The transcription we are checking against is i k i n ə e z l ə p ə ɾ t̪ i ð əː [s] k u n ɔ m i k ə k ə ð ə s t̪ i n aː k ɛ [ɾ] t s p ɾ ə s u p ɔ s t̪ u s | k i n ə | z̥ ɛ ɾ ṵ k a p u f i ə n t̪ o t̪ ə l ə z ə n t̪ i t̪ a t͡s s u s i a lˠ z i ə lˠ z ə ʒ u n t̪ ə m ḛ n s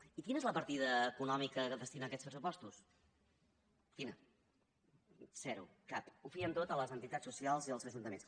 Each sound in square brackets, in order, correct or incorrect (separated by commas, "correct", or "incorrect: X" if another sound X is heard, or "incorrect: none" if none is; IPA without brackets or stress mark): incorrect: none, incorrect: none